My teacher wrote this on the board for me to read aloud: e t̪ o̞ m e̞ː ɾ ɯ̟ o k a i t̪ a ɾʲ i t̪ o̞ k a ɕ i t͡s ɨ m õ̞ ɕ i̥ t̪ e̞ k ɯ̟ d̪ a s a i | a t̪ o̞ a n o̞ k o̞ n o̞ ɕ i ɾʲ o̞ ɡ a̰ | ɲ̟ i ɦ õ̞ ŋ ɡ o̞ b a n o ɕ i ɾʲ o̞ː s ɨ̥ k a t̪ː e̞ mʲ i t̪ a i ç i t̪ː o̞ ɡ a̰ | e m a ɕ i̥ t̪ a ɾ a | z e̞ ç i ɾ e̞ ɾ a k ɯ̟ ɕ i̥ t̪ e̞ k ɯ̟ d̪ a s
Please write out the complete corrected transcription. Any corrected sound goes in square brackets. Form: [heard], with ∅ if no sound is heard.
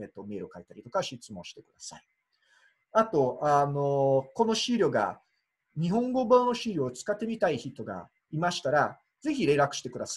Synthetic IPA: e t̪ o̞ m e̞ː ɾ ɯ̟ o k a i t̪ a ɾʲ i t̪ o̞ k a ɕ i t͡s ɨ m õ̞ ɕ i̥ t̪ e̞ k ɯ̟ d̪ a s a i | a t̪ o̞ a n o̞ k o̞ n o̞ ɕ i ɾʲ o̞ ɡ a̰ | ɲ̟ i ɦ õ̞ ŋ ɡ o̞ b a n o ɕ i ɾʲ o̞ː [t͡s] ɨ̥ k a t̪ː e̞ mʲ i t̪ a i ç i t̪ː o̞ ɡ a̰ | [i] m a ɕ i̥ t̪ a ɾ a | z e̞ ç i ɾ e̞ ɾ a k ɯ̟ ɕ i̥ t̪ e̞ k ɯ̟ d̪ a s